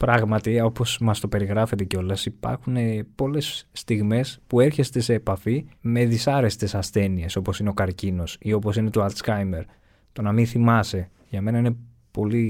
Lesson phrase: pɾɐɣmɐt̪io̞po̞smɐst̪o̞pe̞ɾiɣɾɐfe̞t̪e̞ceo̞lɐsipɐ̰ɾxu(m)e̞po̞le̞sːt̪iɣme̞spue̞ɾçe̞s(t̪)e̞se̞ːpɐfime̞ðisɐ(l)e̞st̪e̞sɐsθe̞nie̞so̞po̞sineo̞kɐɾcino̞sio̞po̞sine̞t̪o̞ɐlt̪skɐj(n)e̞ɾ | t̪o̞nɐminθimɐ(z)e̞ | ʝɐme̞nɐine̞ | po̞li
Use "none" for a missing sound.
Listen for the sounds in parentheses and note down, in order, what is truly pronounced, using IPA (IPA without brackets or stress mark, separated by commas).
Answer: n, t̪, ɾ, m, s